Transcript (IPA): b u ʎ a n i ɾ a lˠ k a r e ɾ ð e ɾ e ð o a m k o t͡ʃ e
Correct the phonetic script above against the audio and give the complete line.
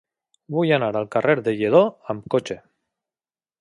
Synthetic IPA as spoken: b u j a n a ɾ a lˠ k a r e ɾ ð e ʎ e ð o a m k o t͡ʃ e